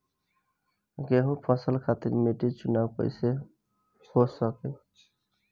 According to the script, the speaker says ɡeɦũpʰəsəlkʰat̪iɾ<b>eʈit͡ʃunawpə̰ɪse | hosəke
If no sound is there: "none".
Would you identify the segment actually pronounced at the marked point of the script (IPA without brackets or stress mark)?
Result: m